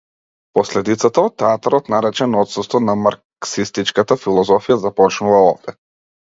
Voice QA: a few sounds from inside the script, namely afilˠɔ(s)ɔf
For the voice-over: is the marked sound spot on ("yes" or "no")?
no